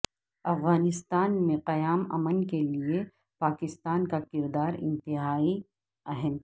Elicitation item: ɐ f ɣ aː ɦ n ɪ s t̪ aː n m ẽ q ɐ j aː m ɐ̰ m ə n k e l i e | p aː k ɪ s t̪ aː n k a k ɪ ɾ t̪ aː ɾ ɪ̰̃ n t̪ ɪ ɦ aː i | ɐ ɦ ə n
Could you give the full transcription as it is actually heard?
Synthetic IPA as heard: ɐ f ɣ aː n ɪ s t̪ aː n m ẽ q ɐ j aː m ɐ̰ m ə n k e l i e | p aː k ɪ s t̪ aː n k a k ɪ ɾ d̪ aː ɾ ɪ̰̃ n t̪ ɪ ɦ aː i | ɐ ɦ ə n